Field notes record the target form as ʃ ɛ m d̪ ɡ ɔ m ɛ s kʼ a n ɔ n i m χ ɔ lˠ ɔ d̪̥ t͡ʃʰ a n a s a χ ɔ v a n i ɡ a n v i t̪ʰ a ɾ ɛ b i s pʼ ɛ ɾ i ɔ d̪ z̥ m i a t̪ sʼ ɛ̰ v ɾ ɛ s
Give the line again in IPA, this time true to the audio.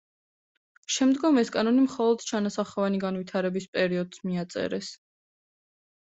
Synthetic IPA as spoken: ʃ ɛ m d̪ ɡ ɔ m ɛ s kʼ a n ɔ n i m χ ɔ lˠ ɔ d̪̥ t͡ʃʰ a n a s a χ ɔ v a n i ɡ a n v i t̪ʰ a ɾ ɛ b i s pʼ ɛ ɾ i ɔ d̪ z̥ m i a t̪ sʼ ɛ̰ ɾ ɛ s